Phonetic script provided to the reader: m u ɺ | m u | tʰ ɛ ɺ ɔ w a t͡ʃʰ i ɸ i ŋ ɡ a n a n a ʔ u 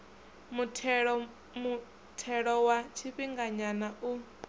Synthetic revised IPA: m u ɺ | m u | tʰ ɛ ɺ ɔ w a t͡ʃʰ i ɸ i ŋ ɡ a ɲ a n a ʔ u